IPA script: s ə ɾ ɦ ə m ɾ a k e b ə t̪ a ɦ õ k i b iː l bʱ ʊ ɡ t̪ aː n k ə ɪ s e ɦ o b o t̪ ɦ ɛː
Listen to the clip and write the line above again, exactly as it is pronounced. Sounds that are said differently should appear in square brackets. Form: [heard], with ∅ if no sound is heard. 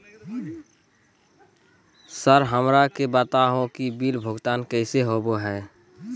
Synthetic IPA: s ə ɾ ɦ ə m ɾ a k e b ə t̪ a ɦ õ k i b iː l bʱ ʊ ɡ t̪ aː n k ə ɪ s e ɦ o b o [∅] ɦ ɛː